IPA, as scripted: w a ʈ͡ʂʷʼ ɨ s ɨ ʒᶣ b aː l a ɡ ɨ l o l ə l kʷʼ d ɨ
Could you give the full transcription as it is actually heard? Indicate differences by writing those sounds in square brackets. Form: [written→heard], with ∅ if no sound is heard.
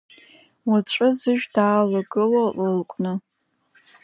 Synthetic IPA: w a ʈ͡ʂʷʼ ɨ [s→z] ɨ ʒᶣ [b→d] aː l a ɡ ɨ l o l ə l kʷʼ [d→n] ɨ